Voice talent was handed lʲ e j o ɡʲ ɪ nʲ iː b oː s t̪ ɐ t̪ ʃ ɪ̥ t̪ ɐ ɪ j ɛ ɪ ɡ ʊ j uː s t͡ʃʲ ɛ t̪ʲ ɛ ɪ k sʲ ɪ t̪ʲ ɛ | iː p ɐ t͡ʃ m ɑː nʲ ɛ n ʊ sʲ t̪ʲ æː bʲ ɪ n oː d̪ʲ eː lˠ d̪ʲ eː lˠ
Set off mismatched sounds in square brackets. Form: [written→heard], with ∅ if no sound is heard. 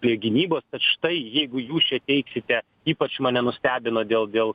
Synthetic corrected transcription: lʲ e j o ɡʲ ɪ nʲ iː b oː s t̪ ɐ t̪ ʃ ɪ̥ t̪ ɐ ɪ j ɛ ɪ ɡ ʊ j uː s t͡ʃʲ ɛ t̪ʲ ɛ ɪ k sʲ ɪ t̪ʲ ɛ | iː p ɐ t͡ʃ m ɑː nʲ ɛ n ʊ sʲ t̪ʲ æː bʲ ɪ n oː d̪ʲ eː lˠ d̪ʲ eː lˠ